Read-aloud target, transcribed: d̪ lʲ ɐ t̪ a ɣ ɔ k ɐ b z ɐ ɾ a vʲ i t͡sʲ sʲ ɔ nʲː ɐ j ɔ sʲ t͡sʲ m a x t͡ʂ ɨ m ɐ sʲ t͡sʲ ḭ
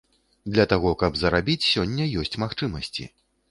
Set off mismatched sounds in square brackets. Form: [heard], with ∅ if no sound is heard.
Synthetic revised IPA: d̪ lʲ ɐ t̪ a ɣ ɔ k ɐ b z ɐ ɾ a [bʲ] i t͡sʲ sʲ ɔ nʲː ɐ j ɔ sʲ t͡sʲ m a x t͡ʂ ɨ m ɐ sʲ t͡sʲ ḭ